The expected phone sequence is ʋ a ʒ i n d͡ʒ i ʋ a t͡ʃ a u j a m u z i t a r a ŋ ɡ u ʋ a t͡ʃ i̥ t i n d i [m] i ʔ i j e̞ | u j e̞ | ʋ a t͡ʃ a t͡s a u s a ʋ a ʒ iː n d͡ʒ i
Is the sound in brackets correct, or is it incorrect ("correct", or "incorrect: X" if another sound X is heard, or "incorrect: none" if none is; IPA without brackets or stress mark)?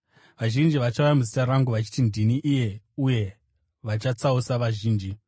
incorrect: n